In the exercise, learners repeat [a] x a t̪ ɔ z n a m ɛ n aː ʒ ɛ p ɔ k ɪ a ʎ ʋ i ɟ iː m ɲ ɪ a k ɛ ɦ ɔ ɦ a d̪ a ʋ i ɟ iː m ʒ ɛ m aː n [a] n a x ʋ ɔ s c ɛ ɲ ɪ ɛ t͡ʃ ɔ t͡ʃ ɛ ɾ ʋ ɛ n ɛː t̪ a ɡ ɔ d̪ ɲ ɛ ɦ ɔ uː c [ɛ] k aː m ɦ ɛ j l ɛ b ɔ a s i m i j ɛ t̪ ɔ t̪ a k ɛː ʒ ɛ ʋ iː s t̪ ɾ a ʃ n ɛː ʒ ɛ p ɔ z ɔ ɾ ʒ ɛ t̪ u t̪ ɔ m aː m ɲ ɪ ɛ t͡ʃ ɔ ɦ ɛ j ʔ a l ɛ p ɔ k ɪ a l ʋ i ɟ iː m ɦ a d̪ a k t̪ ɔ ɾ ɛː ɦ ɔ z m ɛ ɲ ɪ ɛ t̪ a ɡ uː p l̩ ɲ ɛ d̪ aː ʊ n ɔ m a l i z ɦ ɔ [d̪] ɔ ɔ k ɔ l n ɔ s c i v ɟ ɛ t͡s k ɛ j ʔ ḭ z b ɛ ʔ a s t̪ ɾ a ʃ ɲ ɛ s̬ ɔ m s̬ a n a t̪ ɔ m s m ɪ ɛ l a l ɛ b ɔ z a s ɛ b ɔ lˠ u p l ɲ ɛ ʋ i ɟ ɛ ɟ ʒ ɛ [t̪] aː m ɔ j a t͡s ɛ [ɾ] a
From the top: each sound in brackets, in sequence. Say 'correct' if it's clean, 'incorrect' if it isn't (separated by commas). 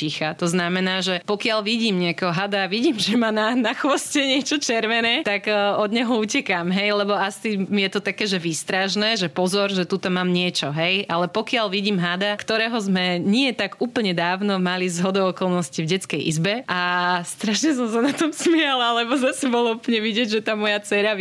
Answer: incorrect, correct, correct, correct, correct, correct